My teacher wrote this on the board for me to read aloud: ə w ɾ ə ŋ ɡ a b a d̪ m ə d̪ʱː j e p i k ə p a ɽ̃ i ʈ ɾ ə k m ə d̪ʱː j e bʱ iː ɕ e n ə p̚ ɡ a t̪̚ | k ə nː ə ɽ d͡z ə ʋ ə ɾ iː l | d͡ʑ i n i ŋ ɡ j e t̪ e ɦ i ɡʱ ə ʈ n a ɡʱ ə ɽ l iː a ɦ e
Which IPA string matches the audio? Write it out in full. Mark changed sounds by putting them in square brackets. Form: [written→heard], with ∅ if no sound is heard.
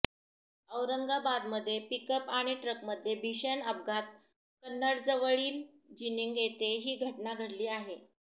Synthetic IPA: ə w ɾ ə ŋ ɡ a b a d̪ m ə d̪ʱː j e p i k ə p a ɽ̃ i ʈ ɾ ə k m ə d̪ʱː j e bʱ [iː→i] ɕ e n ə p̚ ɡ a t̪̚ | k ə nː ə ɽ d͡z ə ʋ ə [ɾ→ɭ] iː l | d͡ʑ i n i ŋ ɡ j e t̪ e ɦ [i→iː] ɡʱ ə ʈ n a ɡʱ ə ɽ l iː a ɦ e